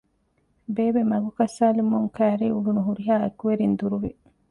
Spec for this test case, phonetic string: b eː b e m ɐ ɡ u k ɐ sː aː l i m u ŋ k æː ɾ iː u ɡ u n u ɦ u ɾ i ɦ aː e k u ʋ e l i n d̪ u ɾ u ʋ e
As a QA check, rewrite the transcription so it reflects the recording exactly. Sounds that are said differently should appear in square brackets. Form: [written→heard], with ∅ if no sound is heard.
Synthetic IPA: b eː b e m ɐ ɡ u k ɐ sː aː l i m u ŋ k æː ɾ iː u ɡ u n u ɦ u ɾ i ɦ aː e k u ʋ e [l→ɾ] i n d̪ u ɾ u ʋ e